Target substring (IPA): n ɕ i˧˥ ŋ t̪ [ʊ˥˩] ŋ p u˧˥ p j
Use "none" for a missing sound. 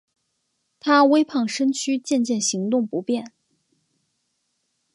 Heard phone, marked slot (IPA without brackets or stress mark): ʊ˥˩